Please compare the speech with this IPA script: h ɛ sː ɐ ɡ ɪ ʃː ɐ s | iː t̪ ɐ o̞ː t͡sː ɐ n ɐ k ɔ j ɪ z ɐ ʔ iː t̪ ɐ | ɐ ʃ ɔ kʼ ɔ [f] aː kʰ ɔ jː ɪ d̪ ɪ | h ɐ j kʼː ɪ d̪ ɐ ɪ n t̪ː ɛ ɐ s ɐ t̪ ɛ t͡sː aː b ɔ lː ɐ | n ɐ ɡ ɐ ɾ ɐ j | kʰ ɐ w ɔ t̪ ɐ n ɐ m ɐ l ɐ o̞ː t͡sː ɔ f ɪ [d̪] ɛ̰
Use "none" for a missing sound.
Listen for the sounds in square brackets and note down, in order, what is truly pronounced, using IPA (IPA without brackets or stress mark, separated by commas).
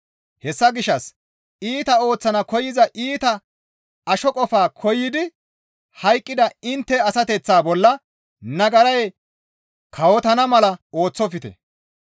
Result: f, t̪